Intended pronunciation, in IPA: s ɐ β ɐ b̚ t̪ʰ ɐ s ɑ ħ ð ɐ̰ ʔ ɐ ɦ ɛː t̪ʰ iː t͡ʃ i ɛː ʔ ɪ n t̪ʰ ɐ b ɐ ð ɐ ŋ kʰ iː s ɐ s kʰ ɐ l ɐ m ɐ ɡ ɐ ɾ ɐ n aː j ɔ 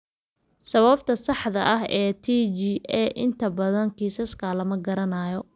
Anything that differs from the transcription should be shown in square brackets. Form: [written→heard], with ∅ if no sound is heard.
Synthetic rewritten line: s ɐ β ɐ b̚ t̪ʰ ɐ s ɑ ħ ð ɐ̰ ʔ ɐ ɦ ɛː t̪ʰ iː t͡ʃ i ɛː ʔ ɪ n t̪ʰ ɐ b ɐ ð ɐ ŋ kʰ iː s ɐ s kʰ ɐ l ɐ m ɐ ɡ ɐ ɾ ɐ n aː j ɔ